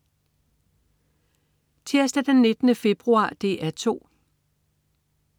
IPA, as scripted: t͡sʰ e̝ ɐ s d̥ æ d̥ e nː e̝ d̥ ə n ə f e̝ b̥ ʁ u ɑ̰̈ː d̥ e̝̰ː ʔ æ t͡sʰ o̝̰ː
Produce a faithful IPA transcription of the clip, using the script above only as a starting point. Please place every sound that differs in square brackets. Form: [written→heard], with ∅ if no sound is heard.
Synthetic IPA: t͡sʰ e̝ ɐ s d̥ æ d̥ e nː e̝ d̥ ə n ə f e̝ b̥ ʁ u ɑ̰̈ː d̥ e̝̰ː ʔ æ t͡sʰ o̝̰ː